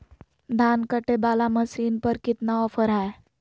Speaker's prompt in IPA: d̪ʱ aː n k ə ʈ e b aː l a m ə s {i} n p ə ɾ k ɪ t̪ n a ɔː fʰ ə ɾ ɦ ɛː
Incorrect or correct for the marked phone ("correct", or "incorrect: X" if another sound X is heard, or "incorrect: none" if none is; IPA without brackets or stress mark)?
incorrect: iː